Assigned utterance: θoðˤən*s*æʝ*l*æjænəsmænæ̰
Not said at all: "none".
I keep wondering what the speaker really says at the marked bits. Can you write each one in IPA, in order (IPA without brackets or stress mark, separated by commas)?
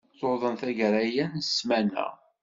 θ, ɾ